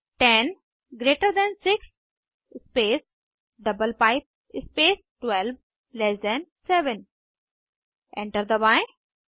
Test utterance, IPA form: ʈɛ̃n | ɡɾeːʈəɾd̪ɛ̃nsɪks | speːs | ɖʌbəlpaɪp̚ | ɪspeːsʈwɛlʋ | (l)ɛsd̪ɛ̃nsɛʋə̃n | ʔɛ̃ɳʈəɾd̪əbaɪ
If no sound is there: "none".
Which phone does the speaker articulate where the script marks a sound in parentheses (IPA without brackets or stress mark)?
l